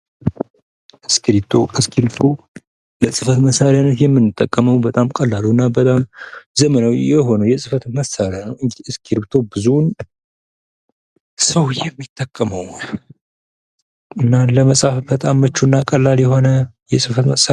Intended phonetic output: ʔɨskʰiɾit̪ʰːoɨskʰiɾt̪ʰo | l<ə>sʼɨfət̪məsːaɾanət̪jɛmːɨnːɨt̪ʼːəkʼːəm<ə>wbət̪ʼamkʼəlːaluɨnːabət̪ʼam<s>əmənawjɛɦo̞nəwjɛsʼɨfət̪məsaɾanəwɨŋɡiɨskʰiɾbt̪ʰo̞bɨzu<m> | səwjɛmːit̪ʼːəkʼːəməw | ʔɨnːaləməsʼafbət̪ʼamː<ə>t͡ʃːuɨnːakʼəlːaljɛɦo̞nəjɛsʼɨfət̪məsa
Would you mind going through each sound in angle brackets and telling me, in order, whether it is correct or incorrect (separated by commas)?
correct, correct, incorrect, incorrect, correct